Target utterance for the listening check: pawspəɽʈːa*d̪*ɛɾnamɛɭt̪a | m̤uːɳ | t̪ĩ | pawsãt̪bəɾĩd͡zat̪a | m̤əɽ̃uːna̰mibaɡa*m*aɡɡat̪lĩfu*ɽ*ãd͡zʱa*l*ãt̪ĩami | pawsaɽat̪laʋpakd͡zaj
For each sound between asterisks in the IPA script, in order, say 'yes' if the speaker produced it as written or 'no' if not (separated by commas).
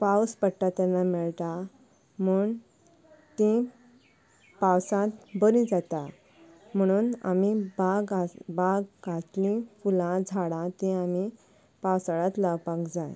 no, no, no, no